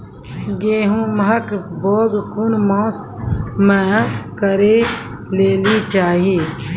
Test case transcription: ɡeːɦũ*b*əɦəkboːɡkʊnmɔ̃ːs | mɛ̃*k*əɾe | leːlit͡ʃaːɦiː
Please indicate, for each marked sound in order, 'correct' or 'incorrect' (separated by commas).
incorrect, correct